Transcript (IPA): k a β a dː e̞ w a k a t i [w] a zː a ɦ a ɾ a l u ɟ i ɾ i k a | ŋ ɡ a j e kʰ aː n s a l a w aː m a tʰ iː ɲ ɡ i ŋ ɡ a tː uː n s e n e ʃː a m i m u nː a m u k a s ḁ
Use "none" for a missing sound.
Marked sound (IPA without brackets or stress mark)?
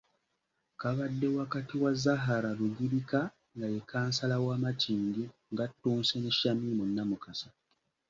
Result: w